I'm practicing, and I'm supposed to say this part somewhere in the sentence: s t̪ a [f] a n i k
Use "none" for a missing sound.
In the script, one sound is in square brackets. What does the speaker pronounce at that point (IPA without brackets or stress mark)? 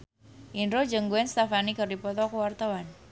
f